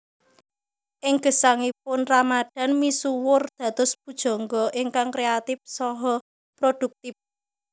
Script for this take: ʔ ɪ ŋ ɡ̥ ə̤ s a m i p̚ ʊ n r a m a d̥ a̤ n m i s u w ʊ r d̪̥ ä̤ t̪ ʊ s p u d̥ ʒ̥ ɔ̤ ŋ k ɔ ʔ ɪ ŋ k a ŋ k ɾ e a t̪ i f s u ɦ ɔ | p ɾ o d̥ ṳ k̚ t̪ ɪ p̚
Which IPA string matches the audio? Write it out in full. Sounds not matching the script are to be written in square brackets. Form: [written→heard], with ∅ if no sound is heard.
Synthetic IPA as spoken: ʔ ɪ ŋ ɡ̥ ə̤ s a [m→ŋ] i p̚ ʊ n r a m a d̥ a̤ n m i s u w ʊ r d̪̥ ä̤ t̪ ʊ s p u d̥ ʒ̥ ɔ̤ ŋ [k→ɡ] ɔ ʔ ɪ ŋ k a ŋ k ɾ e a t̪ [i→ɪ] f s [u→ɔ] ɦ ɔ | p ɾ o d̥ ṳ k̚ t̪ ɪ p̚